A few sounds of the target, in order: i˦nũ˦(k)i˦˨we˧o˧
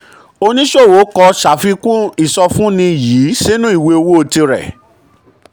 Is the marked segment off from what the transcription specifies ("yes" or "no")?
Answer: yes